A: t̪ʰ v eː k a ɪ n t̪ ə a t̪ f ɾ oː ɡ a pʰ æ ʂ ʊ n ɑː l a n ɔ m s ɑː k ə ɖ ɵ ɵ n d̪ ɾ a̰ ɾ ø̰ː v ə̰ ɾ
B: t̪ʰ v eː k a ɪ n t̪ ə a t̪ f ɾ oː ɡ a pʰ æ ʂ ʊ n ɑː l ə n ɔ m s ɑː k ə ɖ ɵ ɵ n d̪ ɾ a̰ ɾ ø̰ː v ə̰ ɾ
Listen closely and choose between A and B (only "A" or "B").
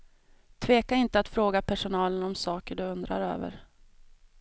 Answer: B